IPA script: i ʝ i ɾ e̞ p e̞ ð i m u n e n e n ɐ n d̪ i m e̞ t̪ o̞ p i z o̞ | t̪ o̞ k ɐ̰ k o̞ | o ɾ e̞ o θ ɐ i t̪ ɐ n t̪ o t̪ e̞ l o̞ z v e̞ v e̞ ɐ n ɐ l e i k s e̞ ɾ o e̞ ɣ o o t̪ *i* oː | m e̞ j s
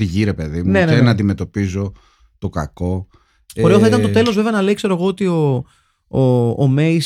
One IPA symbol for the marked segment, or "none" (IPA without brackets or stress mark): i